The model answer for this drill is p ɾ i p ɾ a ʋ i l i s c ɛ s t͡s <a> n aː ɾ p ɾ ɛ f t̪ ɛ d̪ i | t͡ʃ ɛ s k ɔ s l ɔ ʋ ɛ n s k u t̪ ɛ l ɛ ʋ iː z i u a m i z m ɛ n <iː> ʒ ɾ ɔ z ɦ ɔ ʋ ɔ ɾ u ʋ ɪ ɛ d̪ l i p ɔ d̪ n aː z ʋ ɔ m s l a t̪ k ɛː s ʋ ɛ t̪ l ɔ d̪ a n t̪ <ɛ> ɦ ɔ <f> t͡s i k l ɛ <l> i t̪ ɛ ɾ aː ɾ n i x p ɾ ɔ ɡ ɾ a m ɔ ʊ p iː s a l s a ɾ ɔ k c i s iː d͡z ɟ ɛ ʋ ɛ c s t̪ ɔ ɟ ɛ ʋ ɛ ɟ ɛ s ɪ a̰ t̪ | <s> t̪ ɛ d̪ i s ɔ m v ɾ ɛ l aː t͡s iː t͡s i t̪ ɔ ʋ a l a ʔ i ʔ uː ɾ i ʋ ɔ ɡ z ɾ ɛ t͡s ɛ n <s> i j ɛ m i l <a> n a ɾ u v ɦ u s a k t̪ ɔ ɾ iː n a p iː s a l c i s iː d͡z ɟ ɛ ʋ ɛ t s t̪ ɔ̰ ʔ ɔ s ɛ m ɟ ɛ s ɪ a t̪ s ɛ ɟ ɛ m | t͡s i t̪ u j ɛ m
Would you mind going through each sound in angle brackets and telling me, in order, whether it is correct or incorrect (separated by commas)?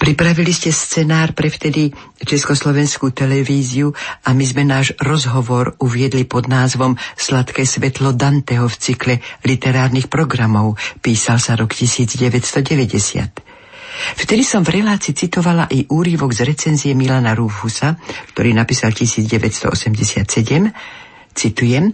incorrect, incorrect, correct, correct, correct, incorrect, incorrect, correct